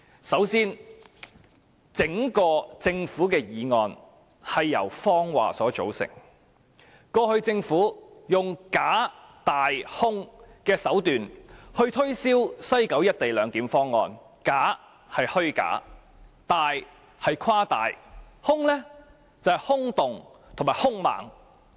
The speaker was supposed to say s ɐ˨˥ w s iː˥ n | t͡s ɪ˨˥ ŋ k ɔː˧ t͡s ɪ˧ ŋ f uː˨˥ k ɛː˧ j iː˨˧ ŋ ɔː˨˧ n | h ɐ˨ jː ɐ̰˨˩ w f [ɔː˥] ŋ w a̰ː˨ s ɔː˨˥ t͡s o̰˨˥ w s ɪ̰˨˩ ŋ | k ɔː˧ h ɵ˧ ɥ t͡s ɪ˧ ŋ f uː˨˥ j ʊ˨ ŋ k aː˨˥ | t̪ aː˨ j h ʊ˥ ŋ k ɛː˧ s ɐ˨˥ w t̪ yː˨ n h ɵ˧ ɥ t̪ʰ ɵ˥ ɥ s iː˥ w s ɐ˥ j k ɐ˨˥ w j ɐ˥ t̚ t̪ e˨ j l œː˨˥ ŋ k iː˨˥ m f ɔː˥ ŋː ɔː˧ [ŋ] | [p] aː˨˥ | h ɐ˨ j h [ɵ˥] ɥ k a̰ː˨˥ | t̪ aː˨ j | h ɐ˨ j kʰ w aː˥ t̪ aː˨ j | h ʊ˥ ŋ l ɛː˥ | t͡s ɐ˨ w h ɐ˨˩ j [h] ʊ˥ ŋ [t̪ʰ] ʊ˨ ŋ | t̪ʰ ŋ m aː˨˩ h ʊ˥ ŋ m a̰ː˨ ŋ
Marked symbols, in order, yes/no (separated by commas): yes, no, no, yes, yes, no